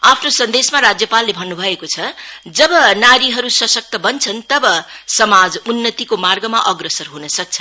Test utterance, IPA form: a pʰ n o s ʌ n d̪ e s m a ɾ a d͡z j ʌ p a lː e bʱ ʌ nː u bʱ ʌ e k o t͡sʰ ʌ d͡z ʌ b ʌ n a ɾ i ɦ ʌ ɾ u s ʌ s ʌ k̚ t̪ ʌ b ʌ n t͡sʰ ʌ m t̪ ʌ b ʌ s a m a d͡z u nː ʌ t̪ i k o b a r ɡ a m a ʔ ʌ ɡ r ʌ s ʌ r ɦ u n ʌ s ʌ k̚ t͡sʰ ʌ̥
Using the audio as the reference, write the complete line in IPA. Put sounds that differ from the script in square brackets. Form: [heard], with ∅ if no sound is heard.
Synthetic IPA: a pʰ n o s ʌ n d̪ e s m a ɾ a d͡z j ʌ p a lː e bʱ ʌ nː u bʱ ʌ e k o t͡sʰ ʌ d͡z ʌ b ʌ n a ɾ i ɦ ʌ ɾ u s ʌ s ʌ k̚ t̪ ʌ b ʌ n t͡sʰ ʌ [n] t̪ ʌ b ʌ s [ʌ] m a d͡z u nː ʌ t̪ i k o [m] a r ɡ [ʌ] m a ʔ ʌ ɡ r ʌ s ʌ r ɦ u n ʌ s ʌ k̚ t͡sʰ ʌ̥